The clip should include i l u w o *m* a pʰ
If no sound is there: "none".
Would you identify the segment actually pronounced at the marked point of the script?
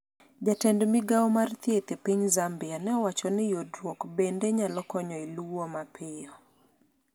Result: m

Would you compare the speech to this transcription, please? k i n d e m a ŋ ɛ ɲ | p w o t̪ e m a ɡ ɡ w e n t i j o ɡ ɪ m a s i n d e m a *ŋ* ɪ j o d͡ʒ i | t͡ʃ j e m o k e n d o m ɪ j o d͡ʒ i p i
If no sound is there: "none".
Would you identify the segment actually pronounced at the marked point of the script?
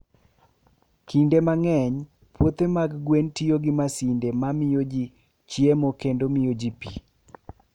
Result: m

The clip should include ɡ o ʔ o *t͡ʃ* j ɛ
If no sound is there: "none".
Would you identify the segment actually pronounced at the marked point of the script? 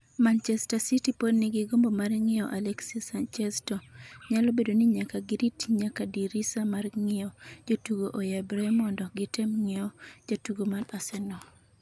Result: none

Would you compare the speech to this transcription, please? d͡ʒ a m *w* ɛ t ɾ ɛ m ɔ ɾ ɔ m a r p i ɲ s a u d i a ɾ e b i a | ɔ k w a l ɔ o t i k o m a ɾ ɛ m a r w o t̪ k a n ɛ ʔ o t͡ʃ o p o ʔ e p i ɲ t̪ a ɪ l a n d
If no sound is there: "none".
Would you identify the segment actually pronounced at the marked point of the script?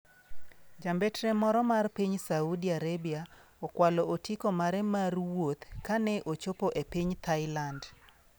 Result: b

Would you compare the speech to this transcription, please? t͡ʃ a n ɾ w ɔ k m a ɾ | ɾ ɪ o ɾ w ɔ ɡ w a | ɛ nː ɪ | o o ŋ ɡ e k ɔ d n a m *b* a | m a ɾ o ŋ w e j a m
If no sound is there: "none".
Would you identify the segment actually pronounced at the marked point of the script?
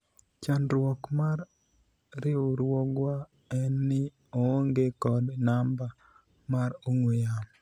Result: b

